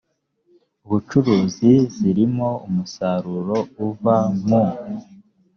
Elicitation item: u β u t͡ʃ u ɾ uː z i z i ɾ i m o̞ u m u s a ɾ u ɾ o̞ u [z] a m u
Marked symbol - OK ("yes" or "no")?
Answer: no